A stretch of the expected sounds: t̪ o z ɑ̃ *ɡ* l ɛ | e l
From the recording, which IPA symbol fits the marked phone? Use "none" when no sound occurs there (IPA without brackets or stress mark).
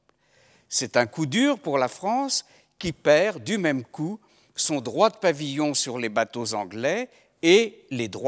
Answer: ɡ